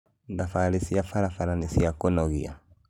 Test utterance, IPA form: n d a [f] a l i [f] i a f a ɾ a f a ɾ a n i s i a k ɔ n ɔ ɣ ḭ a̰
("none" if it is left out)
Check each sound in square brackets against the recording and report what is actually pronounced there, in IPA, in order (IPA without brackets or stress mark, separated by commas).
f, s